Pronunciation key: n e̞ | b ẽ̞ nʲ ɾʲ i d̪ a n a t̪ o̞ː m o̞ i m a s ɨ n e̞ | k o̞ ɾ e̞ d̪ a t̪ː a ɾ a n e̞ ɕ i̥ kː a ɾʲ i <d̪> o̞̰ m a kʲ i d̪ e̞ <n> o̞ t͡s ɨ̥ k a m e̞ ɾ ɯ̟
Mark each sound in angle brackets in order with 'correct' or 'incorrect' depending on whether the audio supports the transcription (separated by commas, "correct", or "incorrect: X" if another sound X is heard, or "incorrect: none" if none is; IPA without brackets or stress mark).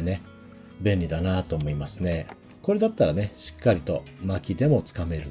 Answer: incorrect: t̪, incorrect: m